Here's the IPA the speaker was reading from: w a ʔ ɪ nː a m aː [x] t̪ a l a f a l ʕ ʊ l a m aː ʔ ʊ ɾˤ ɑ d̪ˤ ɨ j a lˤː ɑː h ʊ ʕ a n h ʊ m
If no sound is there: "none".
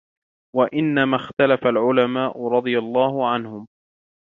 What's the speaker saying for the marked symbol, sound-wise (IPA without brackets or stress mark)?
x